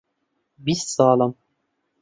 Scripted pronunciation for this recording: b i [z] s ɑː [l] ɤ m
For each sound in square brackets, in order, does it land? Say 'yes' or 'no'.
no, yes

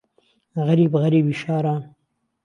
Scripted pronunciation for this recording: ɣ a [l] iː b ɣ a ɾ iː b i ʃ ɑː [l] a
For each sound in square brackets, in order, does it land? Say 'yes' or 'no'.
no, no

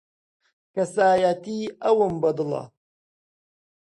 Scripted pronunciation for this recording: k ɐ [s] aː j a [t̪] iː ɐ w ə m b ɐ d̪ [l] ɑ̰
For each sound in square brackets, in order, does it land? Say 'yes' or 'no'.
yes, yes, yes

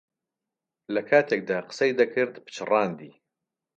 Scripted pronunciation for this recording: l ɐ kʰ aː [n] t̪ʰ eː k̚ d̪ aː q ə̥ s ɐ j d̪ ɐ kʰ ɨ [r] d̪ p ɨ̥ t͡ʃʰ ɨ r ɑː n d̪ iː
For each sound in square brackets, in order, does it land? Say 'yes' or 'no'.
no, no

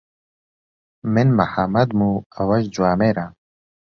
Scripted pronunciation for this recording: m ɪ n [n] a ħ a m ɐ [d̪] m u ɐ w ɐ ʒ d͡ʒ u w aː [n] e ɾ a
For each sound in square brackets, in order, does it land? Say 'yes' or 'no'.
no, yes, no

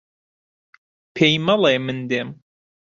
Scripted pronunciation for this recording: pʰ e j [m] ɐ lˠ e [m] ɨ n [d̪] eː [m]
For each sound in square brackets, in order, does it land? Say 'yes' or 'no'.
yes, yes, yes, yes

